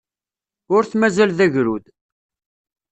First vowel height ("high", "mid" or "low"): high